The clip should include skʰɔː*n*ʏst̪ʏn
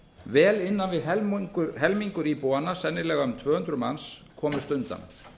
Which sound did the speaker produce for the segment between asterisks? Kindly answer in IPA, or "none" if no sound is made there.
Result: m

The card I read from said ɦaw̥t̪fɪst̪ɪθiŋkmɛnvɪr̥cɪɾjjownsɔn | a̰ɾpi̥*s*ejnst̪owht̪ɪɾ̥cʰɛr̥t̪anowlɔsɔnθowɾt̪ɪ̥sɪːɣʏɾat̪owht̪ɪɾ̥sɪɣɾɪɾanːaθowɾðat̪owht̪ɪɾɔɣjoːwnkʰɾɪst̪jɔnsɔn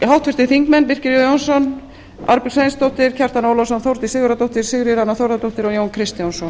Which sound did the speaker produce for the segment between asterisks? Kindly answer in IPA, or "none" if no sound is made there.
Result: s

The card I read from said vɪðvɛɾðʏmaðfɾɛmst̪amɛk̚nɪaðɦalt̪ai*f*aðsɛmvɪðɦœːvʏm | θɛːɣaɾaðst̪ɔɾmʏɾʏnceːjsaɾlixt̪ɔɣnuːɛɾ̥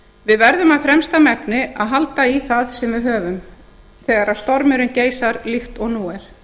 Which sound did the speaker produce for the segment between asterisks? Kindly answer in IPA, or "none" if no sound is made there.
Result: θ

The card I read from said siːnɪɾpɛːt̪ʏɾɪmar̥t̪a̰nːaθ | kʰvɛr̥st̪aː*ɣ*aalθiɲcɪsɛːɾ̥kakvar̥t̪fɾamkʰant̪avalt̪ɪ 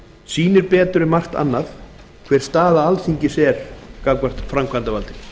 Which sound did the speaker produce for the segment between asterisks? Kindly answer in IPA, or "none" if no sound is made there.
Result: ð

